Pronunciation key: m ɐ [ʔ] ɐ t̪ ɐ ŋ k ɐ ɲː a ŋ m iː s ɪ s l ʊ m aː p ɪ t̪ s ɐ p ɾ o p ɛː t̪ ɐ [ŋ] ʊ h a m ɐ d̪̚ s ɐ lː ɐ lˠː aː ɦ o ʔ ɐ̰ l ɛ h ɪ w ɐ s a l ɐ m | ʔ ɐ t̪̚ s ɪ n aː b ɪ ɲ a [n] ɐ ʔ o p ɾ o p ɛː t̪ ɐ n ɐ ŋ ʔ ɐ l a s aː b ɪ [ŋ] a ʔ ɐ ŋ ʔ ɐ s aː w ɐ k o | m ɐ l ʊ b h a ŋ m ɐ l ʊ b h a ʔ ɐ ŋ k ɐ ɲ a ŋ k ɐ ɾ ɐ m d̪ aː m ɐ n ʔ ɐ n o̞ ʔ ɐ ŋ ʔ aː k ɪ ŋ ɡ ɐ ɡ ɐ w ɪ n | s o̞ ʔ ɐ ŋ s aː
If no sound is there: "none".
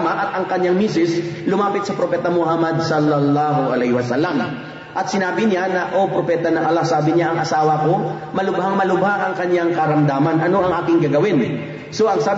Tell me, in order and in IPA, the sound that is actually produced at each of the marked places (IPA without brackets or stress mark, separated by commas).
ʔ, m, n, ɲ